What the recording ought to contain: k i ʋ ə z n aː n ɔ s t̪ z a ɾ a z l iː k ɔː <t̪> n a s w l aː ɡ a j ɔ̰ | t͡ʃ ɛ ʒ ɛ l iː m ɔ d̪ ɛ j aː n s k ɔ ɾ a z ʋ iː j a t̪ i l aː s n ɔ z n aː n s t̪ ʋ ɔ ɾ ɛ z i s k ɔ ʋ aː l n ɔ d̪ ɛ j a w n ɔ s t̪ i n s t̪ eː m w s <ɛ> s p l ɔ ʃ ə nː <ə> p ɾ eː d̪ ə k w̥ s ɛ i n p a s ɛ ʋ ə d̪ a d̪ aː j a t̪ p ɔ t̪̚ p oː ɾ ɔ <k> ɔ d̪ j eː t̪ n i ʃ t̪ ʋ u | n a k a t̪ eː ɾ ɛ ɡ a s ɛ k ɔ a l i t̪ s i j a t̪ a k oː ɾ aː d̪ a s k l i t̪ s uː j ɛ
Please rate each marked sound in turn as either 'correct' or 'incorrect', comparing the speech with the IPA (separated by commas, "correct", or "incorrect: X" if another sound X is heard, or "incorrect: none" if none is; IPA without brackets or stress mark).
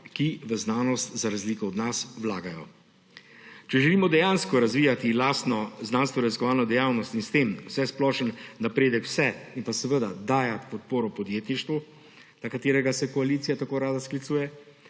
incorrect: d̪, correct, incorrect: a, incorrect: p